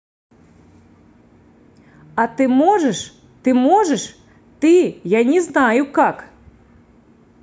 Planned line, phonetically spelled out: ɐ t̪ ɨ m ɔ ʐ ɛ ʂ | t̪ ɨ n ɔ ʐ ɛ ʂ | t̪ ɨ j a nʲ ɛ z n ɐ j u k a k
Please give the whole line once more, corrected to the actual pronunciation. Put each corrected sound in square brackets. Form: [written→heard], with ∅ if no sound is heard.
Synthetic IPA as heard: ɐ t̪ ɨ m ɔ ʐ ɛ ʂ | t̪ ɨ [n→m] ɔ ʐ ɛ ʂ | t̪ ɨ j a nʲ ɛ z n [ɐ→a] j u k a k